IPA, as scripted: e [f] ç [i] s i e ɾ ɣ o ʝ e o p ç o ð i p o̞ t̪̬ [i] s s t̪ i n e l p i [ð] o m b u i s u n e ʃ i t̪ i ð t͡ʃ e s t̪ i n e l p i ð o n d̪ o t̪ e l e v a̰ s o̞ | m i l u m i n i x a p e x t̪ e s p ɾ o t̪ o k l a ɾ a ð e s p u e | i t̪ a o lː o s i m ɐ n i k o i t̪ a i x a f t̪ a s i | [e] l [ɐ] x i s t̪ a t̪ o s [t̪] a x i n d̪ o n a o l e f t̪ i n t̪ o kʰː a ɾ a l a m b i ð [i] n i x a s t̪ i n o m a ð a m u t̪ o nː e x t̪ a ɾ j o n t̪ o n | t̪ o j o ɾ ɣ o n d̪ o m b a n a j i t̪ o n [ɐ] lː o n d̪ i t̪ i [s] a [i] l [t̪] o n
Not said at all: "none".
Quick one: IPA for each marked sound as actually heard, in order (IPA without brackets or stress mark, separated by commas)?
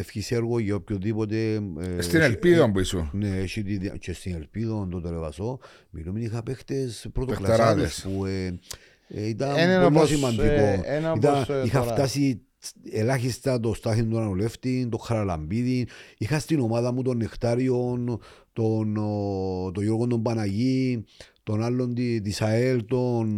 f, i, e, ð, e, a, t̪, i, a, s, e, t̪